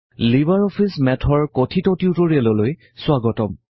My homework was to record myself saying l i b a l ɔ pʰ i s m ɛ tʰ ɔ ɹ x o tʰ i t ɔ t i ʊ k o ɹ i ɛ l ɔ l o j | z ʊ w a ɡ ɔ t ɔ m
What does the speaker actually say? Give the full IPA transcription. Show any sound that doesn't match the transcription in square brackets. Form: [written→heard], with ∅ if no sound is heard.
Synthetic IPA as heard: l i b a [l→ɹ] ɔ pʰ i s m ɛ tʰ ɔ ɹ [x→k] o tʰ i t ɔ t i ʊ [k→t] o ɹ i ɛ l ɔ l o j | [z→s] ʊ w a ɡ ɔ t ɔ m